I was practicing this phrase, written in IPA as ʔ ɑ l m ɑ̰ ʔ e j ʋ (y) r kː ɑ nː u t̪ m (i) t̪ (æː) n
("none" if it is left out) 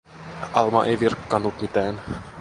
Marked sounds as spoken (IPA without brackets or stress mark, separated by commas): i, i, æː